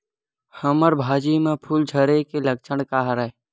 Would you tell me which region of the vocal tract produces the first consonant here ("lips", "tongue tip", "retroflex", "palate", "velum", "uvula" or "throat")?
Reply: throat